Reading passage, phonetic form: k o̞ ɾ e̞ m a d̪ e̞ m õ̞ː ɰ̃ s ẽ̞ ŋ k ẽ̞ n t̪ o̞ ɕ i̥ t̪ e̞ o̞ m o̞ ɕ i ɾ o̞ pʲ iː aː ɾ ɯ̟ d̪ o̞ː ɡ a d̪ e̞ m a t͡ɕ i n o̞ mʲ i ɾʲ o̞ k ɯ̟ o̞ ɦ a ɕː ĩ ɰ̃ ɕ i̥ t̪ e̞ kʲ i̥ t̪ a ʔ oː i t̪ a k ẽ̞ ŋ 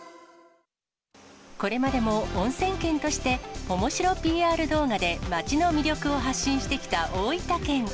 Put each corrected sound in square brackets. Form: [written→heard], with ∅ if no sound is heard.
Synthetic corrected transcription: k o̞ ɾ e̞ m a d̪ e̞ m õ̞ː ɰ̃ s ẽ̞ ŋ k ẽ̞ n t̪ o̞ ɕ i̥ t̪ e̞ o̞ m o̞ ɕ i ɾ o̞ pʲ iː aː ɾ ɯ̟ d̪ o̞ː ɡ a d̪ e̞ m a t͡ɕ i n o̞ mʲ i ɾʲ o̞ k ɯ̟ o̞ ɦ a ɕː ĩ ɰ̃ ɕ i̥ t̪ e̞ kʲ i̥ t̪ a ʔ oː i t̪ a k ẽ̞ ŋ